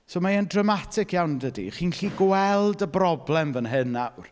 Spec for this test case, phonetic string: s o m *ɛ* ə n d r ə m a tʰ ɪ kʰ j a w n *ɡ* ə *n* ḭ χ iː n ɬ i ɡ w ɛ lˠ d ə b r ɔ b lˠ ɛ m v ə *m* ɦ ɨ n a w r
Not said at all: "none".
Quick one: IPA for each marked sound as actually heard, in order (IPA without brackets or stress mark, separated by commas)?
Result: a, d, d, n